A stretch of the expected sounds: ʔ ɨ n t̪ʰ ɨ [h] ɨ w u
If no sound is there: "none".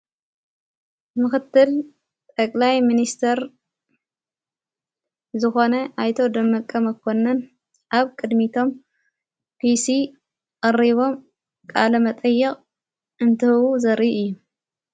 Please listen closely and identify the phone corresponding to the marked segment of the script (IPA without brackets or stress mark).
h